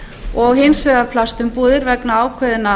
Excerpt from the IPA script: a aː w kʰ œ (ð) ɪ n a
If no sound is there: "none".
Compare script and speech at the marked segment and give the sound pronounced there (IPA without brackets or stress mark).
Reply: ð